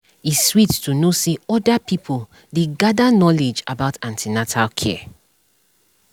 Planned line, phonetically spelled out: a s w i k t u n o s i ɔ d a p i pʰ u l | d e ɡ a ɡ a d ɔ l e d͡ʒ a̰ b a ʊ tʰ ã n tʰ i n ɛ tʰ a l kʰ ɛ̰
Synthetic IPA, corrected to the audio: i s w i t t u n o s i ɔ d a p i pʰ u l | d e ɡ a d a n ɔ l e d͡ʒ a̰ b a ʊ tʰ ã n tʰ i n a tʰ a l kʰ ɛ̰